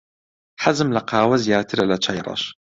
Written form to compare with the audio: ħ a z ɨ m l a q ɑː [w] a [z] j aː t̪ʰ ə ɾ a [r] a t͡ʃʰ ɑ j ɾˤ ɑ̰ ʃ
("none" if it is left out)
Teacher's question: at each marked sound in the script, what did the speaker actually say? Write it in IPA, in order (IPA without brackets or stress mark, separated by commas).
w, z, l